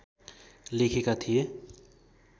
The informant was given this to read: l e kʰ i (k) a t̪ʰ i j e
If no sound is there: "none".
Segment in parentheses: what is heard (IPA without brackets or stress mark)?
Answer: k